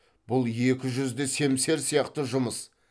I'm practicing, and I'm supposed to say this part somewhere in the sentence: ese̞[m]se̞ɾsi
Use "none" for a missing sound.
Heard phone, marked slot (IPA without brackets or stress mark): m